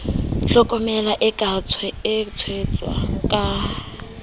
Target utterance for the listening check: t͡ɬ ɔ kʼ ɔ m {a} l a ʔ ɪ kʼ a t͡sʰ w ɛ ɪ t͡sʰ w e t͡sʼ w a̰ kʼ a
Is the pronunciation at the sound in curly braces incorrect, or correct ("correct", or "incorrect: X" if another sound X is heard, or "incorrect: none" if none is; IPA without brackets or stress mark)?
incorrect: ɛ